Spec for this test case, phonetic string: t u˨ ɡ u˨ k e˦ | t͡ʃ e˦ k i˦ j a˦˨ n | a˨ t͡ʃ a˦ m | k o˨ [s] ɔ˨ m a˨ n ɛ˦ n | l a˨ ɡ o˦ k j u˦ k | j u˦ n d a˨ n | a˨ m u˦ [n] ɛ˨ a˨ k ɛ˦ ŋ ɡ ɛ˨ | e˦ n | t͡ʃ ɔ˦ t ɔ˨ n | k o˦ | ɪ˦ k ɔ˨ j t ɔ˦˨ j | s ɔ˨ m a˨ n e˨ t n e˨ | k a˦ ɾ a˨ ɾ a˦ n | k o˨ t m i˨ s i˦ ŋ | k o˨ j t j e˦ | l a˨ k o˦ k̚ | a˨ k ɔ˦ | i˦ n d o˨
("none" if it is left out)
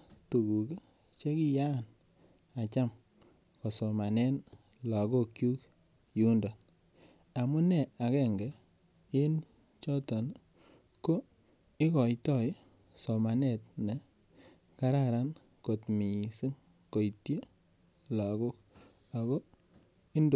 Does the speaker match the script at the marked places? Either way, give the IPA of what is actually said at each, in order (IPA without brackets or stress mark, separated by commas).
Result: s, n